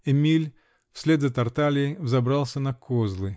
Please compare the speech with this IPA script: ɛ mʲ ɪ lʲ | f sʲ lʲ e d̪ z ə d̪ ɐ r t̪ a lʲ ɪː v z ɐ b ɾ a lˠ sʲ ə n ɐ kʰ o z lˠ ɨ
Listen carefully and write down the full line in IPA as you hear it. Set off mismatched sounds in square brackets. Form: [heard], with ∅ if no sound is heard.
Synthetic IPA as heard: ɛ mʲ [i] lʲ | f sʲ lʲ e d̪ z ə [t̪] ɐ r t̪ a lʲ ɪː v z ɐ b ɾ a lˠ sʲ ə n ɐ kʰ o z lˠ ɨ